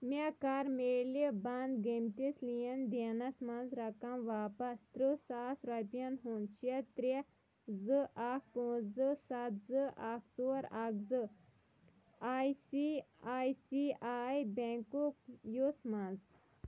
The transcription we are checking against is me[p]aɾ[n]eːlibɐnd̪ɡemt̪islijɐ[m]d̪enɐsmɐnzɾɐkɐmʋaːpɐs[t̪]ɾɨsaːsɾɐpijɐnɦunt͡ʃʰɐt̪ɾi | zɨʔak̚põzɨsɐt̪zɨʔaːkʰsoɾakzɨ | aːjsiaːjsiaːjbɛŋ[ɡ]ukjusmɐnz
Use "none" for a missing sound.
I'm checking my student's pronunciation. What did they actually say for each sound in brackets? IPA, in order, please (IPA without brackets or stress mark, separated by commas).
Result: k, m, n, t̪, k